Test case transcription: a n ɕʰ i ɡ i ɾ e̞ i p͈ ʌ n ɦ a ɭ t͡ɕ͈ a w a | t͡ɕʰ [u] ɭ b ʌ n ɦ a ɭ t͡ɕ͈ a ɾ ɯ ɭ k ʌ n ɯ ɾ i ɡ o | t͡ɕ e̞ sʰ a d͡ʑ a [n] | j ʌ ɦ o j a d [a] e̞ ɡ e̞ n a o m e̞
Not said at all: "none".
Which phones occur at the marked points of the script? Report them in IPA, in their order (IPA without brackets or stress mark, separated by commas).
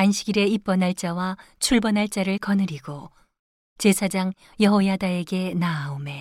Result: u, ŋ, a